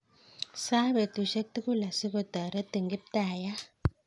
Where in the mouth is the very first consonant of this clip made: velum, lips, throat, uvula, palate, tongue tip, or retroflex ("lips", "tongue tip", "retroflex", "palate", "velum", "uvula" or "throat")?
tongue tip